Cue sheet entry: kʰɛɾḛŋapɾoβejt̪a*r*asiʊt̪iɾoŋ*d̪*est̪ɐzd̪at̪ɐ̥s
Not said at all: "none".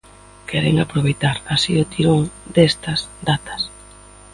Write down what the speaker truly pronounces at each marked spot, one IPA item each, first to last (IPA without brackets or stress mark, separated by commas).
ɾ, d̪